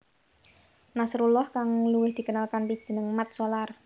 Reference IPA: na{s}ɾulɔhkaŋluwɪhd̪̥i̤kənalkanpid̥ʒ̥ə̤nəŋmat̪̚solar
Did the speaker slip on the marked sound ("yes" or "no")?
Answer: no